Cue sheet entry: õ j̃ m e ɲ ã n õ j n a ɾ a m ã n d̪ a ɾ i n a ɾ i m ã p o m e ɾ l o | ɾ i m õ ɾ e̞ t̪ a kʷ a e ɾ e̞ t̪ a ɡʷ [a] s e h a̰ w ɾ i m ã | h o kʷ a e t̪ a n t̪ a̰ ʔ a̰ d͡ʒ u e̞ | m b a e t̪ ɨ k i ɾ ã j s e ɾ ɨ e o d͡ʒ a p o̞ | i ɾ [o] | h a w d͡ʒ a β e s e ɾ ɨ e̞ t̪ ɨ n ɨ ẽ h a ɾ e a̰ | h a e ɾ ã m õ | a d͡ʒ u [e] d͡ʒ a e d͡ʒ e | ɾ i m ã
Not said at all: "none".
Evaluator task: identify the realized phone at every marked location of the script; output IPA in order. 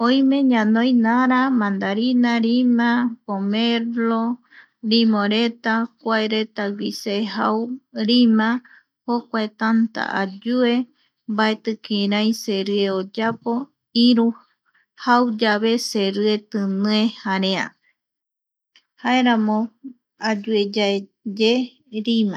i, u, e

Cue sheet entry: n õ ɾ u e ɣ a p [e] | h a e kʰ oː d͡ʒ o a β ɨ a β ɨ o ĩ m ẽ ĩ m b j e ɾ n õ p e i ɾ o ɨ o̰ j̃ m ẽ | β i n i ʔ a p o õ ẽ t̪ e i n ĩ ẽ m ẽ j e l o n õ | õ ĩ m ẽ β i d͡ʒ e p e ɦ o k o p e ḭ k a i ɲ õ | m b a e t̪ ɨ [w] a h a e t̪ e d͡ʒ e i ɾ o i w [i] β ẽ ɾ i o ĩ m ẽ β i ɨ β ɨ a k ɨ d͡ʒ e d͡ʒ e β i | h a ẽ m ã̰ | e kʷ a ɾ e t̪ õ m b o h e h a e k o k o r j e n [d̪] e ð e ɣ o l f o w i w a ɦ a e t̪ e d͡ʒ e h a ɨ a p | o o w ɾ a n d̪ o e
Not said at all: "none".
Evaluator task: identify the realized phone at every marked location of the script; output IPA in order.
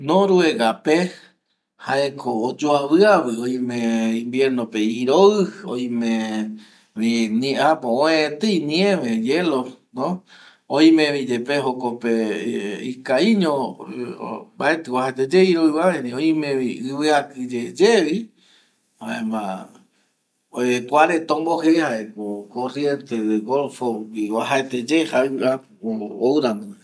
e, w, a, t̪

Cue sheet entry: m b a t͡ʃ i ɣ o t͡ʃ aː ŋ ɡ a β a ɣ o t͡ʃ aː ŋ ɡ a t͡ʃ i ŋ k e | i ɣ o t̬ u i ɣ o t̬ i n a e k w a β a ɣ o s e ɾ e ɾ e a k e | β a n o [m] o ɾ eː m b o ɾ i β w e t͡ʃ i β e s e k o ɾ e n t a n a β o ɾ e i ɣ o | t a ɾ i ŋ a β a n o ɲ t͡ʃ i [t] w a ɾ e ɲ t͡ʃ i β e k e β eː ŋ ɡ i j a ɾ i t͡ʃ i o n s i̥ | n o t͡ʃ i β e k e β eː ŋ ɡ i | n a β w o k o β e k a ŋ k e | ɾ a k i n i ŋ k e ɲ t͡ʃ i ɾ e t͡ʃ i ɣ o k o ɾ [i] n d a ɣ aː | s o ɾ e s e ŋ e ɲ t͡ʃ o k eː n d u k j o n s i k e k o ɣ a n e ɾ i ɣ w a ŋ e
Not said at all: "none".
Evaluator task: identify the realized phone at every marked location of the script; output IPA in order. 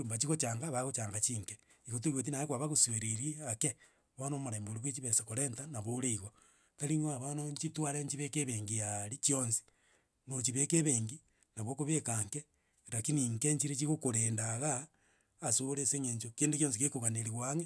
m, t, e

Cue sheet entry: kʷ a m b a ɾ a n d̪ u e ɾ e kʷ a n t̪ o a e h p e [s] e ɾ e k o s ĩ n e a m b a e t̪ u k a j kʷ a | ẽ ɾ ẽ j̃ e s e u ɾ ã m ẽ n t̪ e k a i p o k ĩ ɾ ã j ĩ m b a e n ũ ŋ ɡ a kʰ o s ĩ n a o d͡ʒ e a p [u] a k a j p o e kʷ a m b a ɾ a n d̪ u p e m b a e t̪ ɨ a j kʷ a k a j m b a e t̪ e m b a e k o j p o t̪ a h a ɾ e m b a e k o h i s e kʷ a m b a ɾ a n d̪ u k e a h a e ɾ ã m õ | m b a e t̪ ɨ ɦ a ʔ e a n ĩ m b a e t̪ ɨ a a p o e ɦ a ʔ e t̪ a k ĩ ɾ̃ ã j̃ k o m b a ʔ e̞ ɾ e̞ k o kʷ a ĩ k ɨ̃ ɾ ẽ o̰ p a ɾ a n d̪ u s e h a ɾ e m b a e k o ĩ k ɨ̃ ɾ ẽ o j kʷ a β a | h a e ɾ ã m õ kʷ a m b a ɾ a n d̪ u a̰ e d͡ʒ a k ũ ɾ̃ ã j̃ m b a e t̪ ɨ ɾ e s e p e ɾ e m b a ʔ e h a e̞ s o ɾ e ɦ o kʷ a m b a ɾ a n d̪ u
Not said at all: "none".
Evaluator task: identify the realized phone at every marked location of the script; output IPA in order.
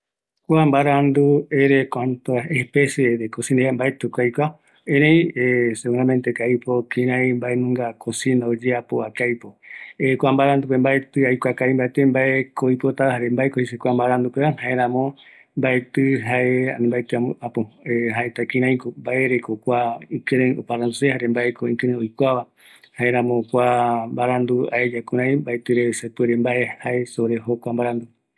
s, o

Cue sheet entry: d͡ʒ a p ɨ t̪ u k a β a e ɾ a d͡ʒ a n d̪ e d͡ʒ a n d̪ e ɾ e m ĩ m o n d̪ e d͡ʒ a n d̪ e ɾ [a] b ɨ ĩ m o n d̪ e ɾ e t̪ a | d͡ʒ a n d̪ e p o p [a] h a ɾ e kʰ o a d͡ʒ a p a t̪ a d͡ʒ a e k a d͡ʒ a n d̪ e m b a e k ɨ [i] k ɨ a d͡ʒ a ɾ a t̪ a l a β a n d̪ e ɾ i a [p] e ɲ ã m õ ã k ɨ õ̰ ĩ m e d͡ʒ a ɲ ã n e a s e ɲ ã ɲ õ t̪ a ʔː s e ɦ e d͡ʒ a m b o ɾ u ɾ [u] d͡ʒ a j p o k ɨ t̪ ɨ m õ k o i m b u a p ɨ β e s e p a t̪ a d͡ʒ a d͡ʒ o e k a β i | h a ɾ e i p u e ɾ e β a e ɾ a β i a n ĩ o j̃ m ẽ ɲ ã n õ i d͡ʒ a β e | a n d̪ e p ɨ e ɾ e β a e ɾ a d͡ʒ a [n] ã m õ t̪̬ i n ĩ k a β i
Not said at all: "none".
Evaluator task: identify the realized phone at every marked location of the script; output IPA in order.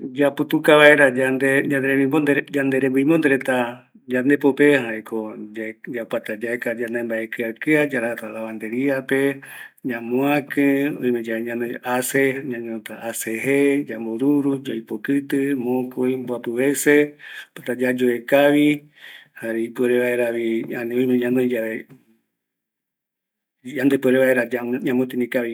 e, e, a, p, u, ɲ

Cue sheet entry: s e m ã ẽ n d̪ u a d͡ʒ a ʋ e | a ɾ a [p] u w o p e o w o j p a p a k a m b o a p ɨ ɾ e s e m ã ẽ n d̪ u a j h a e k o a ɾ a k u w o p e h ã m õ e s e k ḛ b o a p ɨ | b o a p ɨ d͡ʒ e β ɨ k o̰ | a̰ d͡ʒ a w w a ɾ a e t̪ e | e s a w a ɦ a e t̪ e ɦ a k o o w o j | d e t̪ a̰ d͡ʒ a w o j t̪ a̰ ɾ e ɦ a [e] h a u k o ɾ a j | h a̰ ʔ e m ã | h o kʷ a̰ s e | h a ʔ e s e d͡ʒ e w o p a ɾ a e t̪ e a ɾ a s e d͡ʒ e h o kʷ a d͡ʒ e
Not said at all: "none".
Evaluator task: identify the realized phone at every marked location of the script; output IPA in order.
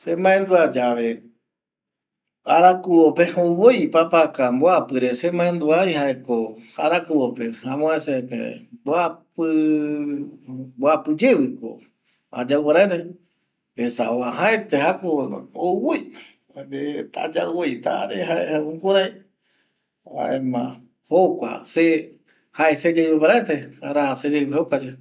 k, e

